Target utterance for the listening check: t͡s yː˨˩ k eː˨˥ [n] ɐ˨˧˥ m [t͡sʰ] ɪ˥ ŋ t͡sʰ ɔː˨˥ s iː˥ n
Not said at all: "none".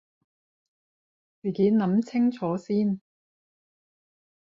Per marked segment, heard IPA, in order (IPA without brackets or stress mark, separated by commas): n, t͡sʰ